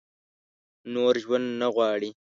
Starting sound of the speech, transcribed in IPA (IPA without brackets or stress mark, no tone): n